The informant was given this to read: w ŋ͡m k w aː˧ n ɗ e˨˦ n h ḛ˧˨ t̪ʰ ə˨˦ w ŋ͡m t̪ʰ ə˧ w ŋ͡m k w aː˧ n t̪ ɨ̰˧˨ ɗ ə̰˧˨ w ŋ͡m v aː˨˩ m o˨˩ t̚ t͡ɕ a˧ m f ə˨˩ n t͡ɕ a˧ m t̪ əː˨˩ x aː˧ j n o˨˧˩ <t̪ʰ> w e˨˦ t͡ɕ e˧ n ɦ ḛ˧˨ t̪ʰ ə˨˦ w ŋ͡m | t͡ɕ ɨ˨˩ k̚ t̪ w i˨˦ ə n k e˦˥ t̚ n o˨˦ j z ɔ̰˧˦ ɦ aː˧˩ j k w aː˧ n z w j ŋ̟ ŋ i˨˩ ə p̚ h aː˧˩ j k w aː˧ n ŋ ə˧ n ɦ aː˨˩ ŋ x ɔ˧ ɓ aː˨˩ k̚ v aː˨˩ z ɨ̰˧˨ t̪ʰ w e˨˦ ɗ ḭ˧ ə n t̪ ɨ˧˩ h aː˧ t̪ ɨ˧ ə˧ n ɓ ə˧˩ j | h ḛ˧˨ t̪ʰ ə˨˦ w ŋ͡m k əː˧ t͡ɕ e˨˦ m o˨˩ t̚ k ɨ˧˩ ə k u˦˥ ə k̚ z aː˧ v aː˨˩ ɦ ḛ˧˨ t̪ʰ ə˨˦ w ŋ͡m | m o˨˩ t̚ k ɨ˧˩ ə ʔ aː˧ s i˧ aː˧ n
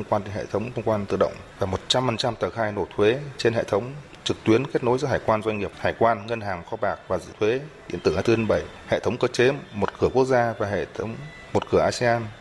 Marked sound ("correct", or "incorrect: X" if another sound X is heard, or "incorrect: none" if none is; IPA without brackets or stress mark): correct